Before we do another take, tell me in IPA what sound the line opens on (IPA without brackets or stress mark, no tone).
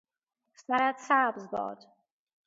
s